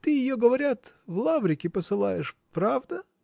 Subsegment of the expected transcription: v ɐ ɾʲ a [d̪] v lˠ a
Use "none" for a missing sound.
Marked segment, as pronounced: t̪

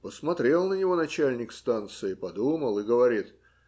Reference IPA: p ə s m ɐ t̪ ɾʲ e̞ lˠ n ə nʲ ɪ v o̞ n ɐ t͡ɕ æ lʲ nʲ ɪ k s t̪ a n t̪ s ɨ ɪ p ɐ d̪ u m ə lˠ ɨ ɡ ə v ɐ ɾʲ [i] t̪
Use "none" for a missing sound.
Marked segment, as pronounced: i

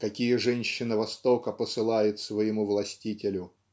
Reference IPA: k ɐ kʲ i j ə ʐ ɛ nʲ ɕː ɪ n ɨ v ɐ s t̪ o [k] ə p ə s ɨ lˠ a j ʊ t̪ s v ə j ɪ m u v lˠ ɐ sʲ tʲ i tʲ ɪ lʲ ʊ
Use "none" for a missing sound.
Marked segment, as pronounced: k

